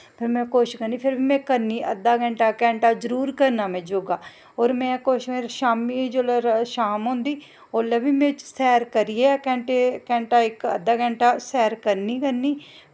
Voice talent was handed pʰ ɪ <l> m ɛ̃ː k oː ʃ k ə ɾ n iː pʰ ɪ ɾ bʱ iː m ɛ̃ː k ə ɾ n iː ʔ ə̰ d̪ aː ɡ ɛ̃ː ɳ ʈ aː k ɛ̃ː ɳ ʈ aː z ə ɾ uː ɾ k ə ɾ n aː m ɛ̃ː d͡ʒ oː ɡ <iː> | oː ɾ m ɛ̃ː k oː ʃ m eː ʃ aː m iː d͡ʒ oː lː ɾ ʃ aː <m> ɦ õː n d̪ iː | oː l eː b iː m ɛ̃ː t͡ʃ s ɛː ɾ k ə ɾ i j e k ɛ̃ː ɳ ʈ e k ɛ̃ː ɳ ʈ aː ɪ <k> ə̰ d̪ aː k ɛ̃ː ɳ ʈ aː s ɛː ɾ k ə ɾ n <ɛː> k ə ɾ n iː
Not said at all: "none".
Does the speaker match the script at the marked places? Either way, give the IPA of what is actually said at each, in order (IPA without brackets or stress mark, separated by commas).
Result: ɾ, aː, m, k, iː